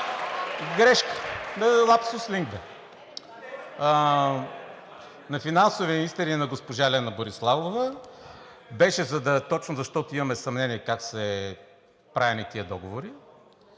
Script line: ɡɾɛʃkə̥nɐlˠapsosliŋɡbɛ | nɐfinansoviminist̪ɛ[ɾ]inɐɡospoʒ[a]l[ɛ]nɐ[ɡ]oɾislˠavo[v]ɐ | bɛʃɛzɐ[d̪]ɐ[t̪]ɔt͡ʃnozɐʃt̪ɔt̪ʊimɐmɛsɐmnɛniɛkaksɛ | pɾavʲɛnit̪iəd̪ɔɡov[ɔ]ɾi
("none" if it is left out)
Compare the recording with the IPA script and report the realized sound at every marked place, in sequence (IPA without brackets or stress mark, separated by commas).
ɾ, a, ɛ, b, v, d̪, t̪, o